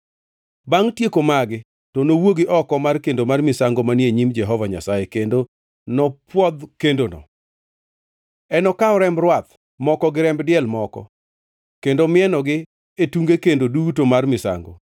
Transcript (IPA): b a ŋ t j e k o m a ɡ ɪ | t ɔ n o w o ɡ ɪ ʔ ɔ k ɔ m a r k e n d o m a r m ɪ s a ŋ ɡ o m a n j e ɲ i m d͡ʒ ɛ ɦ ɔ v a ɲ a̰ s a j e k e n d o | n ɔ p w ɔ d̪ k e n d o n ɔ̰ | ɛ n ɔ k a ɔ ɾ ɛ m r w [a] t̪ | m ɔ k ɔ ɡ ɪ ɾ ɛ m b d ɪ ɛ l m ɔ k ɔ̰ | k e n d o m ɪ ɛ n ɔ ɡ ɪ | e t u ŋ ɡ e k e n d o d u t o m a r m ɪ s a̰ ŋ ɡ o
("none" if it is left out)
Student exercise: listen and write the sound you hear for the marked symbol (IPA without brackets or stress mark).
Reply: a